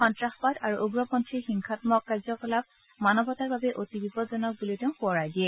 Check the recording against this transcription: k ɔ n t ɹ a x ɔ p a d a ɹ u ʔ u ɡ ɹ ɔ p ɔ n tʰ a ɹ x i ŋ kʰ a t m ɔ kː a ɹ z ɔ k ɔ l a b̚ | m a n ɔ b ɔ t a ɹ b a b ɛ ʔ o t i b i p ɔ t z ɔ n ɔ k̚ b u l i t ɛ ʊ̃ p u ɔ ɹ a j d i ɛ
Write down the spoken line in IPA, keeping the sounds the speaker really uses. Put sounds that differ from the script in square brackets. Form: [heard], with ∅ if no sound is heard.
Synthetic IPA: [x] ɔ n t ɹ a x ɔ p a d a ɹ u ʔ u ɡ ɹ ɔ p ɔ n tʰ [i] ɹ x i ŋ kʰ a t m ɔ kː a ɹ z ɔ k ɔ l a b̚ | m a n ɔ b ɔ t a ɹ b a b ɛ ʔ o t i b i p ɔ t z ɔ n ɔ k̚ b u l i t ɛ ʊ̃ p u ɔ ɹ a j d i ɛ